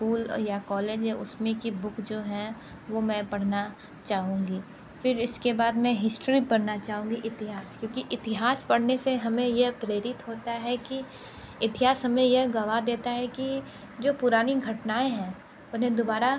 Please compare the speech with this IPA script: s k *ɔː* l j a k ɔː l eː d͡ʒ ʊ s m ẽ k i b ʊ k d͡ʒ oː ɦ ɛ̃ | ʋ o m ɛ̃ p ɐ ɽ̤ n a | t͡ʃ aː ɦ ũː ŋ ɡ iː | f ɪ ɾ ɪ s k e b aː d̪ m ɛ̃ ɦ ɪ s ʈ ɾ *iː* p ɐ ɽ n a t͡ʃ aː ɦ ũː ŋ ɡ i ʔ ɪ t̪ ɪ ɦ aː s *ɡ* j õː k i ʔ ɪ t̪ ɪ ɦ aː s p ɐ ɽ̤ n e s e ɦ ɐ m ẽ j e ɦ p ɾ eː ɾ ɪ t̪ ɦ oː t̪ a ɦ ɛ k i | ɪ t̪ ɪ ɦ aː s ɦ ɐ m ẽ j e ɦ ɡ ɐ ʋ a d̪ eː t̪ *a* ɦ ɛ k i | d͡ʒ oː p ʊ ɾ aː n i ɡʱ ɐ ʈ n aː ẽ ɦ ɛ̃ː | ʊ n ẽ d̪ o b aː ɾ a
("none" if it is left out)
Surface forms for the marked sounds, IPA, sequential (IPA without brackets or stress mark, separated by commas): uː, i, k, a